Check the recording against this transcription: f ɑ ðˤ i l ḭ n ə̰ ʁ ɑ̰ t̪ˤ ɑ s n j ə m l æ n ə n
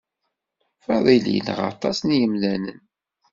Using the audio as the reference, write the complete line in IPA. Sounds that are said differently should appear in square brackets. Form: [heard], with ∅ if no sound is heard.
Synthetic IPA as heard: f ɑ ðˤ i l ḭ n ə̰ ʁ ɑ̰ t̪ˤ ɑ s n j ə m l æ n ə n